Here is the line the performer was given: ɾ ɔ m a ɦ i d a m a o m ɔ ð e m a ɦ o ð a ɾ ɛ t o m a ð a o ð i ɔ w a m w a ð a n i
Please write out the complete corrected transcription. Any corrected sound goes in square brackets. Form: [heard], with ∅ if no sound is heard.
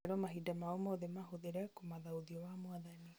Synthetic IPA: ɾ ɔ m a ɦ i d a m a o m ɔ ð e m a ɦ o ð [e] ɾ ɛ [k] o m a ð a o ð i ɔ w a m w a ð a n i